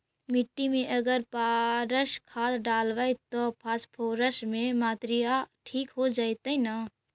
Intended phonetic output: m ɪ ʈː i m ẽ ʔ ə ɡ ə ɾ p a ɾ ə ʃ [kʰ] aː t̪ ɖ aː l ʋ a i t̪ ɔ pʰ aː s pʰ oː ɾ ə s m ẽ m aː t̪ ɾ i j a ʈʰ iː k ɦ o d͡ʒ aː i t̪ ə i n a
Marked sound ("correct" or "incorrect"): correct